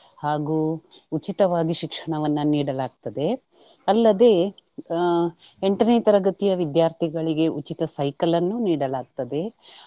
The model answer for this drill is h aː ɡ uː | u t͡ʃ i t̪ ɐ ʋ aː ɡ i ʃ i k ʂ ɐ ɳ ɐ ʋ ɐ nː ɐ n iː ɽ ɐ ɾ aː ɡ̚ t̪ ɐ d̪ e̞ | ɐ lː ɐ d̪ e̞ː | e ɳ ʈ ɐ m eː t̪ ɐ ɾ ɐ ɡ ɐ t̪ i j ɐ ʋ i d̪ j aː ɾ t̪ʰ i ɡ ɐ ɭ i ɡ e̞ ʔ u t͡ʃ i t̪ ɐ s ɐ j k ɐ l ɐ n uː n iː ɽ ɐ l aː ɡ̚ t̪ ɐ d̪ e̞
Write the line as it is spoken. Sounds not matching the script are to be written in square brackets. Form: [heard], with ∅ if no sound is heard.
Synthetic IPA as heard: h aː ɡ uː | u t͡ʃ i t̪ ɐ ʋ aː ɡ i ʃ i k ʂ ɐ ɳ ɐ ʋ ɐ nː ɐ n iː ɽ ɐ [l] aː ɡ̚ t̪ ɐ d̪ e̞ | ɐ lː ɐ d̪ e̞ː | e ɳ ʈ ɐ [n] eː t̪ ɐ ɾ ɐ ɡ ɐ t̪ i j ɐ ʋ i d̪ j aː ɾ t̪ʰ i ɡ ɐ ɭ i ɡ e̞ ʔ u t͡ʃ i t̪ ɐ s ɐ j k ɐ l ɐ [nː] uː n iː ɽ ɐ l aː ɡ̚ t̪ ɐ d̪ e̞

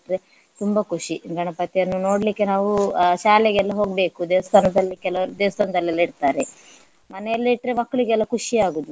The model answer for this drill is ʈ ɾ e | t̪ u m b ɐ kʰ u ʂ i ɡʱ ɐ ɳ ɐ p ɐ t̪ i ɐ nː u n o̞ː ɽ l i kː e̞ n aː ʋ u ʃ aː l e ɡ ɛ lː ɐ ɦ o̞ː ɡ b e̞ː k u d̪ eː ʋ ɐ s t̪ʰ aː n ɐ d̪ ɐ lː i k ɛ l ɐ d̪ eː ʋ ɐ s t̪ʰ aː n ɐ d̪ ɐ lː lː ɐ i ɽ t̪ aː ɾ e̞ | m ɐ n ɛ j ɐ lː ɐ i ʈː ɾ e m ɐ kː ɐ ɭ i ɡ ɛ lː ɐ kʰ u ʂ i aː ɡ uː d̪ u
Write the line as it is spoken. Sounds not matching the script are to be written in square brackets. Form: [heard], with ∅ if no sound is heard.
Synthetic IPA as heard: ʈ ɾ e | t̪ u m b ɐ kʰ u ʂ i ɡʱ ɐ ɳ ɐ p ɐ t̪ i ɐ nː u n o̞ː ɽ l i kː e̞ n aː ʋ u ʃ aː l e ɡ ɛ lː ɐ ɦ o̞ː ɡ b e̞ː k u d̪ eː ʋ ɐ s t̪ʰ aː n ɐ d̪ ɐ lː i k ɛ l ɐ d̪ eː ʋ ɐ s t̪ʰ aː n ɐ d̪ ɐ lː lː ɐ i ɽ t̪ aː ɾ e̞ | m ɐ n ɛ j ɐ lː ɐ i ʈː ɾ e m ɐ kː ɐ ɭ i ɡ ɛ lː ɐ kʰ u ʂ i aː ɡ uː d̪ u

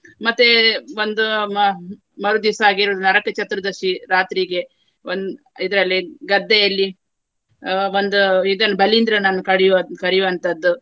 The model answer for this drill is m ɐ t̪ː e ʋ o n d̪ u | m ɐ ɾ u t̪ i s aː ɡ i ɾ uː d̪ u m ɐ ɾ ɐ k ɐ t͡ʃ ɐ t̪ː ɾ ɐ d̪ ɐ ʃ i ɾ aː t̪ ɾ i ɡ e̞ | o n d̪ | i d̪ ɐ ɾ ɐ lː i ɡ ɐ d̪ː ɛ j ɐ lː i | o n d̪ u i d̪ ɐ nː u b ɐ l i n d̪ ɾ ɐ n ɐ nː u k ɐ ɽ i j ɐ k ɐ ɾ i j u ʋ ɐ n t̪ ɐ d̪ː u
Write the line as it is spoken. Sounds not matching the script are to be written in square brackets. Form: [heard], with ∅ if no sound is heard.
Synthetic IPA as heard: m ɐ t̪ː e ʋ o n d̪ u | m ɐ ɾ u [d̪] i s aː ɡ i ɾ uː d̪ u [n] ɐ ɾ ɐ k ɐ t͡ʃ ɐ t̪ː ɾ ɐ d̪ ɐ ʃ i ɾ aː t̪ ɾ i ɡ e̞ | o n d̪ | i d̪ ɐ ɾ ɐ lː i ɡ ɐ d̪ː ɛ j ɐ lː i | o n d̪ u i d̪ ɐ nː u b ɐ l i n d̪ ɾ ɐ n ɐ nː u k ɐ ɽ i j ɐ k ɐ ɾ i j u ʋ ɐ n t̪ ɐ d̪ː u

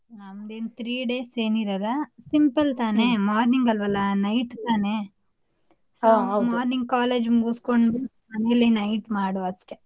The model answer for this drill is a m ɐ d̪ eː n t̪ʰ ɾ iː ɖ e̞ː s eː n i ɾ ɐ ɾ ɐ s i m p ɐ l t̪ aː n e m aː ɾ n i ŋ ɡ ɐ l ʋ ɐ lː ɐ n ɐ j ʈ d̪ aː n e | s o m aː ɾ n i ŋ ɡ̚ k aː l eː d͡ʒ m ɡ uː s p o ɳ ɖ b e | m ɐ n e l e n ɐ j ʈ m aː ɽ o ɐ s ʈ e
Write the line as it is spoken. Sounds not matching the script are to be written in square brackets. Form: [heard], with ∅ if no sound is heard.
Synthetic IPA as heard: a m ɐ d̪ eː n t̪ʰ ɾ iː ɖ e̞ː s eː n i ɾ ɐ ɾ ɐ s i m p ɐ l t̪ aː n e m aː ɾ n i ŋ ɡ ɐ l ʋ ɐ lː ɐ n ɐ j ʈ [t̪] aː n e | s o m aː ɾ n i ŋ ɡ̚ k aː l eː d͡ʒ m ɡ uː s [k] o ɳ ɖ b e | m ɐ n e l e n ɐ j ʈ m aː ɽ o ɐ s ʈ e

